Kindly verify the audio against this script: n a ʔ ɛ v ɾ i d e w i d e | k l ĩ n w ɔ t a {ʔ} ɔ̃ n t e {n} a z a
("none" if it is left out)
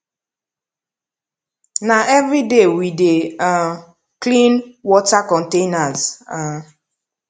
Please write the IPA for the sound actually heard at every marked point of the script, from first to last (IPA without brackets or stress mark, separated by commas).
k, n